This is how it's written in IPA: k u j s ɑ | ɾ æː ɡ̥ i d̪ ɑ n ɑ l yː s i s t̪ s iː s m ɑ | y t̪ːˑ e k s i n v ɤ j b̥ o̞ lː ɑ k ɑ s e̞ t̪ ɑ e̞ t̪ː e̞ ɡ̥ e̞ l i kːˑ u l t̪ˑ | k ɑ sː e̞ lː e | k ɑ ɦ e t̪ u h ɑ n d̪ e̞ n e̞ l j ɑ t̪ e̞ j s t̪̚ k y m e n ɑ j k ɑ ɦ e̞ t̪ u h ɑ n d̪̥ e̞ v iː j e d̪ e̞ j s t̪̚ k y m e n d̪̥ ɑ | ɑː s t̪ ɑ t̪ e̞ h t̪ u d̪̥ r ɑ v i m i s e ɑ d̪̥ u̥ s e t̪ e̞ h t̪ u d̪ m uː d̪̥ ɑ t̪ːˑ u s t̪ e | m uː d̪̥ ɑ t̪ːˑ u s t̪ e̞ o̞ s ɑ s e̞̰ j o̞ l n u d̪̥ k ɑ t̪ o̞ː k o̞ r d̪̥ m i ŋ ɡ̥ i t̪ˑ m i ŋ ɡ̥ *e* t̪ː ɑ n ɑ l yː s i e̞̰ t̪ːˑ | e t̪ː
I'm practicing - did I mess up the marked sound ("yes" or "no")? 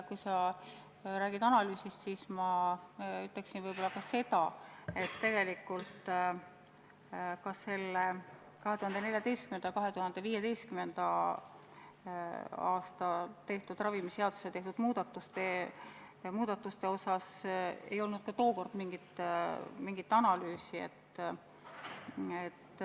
yes